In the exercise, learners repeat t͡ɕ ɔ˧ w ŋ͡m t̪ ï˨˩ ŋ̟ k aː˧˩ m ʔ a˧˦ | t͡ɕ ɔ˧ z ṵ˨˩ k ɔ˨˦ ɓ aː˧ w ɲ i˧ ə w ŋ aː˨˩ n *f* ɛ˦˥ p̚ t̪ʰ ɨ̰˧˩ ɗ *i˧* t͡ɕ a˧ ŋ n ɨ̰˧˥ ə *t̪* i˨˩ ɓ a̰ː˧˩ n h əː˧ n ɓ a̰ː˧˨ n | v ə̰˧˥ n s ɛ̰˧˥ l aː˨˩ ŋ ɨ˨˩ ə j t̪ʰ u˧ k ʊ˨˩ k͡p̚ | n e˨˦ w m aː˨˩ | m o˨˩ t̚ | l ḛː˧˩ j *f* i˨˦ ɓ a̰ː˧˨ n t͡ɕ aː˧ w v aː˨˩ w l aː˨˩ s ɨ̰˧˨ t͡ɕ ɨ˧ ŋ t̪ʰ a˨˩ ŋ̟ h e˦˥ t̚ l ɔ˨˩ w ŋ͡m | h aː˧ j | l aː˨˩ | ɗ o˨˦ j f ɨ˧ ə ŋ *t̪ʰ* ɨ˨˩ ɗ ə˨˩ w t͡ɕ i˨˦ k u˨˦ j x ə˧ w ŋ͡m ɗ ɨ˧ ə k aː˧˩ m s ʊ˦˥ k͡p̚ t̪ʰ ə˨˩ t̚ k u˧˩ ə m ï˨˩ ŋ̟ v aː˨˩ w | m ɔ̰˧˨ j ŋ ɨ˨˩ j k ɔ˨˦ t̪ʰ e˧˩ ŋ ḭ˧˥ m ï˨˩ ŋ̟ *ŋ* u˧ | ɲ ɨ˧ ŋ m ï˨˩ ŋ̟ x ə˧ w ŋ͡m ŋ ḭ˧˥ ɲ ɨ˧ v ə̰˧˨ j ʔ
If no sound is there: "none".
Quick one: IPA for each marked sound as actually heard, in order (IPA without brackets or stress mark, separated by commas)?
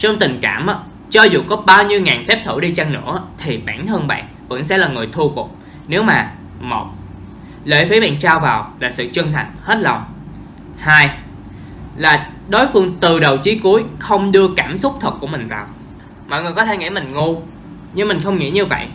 f, i˧, t̪ʰ, f, t̪, ŋ